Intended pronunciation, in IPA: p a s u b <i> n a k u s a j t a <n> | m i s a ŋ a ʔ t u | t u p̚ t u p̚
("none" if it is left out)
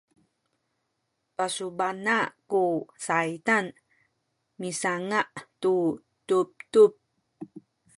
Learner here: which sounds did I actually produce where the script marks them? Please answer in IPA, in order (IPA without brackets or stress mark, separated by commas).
a, n